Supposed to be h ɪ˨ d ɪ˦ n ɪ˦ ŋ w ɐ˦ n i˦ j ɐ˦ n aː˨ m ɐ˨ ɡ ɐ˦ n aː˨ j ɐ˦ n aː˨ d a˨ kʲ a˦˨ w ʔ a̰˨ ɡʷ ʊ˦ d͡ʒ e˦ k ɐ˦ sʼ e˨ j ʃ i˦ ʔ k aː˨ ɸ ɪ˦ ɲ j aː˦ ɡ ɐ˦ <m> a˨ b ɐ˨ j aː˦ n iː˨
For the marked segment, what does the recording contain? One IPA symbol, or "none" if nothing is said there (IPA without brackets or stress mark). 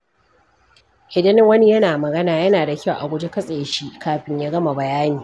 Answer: m